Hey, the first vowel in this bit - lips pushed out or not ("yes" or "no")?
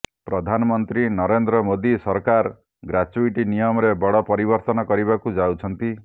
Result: yes